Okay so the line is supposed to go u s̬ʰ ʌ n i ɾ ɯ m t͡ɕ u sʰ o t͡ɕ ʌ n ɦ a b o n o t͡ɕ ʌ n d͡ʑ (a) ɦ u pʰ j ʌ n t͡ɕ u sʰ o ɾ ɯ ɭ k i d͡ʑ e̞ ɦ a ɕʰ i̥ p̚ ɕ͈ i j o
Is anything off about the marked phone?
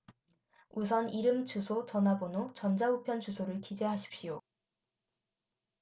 no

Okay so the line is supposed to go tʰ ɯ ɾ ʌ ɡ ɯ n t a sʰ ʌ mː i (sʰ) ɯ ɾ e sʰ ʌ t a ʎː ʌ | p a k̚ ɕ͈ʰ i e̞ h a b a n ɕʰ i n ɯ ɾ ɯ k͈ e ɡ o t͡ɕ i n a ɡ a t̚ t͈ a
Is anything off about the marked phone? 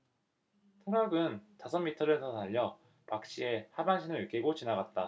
yes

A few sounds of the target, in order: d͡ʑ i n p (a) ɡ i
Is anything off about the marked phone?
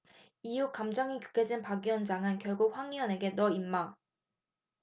no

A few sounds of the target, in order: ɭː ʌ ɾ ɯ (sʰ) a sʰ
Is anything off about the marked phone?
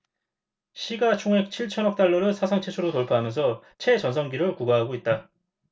no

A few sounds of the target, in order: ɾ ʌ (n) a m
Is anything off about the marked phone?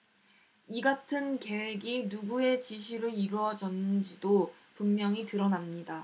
no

